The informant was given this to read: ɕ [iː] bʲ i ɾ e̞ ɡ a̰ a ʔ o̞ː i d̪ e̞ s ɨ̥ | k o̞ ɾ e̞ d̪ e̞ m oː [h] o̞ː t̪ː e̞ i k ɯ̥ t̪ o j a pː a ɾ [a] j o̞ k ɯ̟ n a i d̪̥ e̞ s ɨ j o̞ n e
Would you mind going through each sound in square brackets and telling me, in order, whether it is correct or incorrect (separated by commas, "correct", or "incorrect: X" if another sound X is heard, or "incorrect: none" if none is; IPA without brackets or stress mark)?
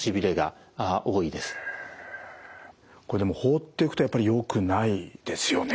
incorrect: i, correct, incorrect: i